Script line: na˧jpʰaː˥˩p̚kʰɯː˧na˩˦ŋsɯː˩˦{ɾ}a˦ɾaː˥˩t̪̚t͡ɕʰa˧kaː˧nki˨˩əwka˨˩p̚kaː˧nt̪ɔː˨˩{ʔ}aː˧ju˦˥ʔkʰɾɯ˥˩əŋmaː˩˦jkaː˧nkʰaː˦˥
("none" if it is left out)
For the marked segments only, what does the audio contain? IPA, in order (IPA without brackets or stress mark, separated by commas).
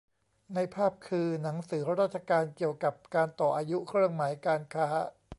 ɾ, ʔ